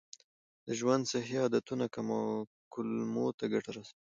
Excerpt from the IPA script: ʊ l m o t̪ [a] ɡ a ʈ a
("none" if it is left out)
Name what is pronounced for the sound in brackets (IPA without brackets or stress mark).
a